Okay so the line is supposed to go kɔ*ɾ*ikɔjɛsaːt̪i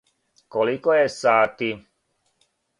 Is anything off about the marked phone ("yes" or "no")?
yes